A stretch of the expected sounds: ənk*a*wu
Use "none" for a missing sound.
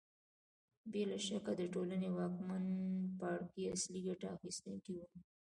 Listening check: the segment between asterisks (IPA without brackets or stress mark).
i